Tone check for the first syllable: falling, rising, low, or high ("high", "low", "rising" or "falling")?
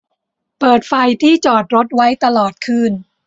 low